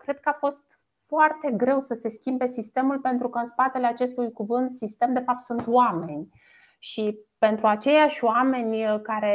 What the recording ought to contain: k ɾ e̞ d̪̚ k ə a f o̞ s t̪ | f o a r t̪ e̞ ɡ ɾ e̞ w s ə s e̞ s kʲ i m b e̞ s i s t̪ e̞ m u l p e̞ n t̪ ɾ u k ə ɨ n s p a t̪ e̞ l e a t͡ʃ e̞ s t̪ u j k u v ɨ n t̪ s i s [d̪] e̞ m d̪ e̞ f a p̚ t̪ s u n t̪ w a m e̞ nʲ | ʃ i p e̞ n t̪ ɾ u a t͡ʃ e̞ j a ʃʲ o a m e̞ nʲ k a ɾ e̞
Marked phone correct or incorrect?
incorrect